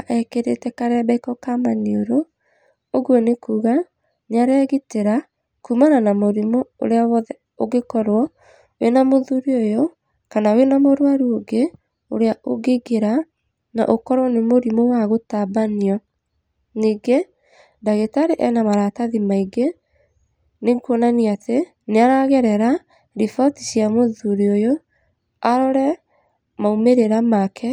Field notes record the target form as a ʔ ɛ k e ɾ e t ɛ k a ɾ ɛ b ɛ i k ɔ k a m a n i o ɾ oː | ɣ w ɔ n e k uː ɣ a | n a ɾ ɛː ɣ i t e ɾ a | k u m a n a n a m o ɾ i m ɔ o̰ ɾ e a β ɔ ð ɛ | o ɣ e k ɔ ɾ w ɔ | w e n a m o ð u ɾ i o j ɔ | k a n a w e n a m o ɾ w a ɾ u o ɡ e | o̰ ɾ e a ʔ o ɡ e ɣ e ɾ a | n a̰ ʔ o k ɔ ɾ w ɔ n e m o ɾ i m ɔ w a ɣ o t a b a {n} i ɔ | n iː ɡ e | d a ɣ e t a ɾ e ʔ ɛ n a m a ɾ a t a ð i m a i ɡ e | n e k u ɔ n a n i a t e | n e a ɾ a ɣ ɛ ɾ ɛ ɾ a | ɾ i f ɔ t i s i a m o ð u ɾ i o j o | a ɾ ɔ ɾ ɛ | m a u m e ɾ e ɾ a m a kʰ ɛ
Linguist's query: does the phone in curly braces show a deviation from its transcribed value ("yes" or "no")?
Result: no